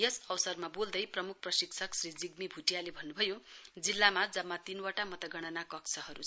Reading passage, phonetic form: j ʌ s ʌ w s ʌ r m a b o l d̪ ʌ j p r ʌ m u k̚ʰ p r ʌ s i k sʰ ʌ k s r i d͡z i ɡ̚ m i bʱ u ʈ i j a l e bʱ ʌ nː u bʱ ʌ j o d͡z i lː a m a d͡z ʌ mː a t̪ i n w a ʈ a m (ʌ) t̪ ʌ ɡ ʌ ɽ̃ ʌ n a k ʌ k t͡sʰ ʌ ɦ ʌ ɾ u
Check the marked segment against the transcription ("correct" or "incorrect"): correct